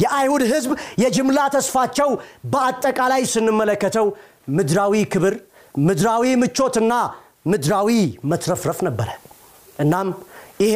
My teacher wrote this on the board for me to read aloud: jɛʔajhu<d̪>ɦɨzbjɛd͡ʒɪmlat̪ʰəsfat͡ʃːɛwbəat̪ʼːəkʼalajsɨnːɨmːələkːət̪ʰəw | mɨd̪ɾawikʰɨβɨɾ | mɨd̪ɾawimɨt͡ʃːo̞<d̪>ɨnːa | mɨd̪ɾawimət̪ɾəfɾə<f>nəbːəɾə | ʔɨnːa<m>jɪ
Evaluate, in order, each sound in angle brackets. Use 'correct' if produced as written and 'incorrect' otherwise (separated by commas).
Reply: correct, incorrect, correct, correct